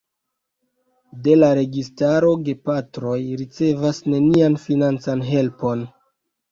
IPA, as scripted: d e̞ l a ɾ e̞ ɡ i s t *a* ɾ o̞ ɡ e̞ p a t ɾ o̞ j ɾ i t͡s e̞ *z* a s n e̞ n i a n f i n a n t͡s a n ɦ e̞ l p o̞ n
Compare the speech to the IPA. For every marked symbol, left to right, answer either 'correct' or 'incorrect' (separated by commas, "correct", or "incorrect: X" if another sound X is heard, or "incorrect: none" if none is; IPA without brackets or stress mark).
correct, incorrect: v